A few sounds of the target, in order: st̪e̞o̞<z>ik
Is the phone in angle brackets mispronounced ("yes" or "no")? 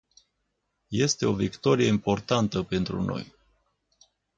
yes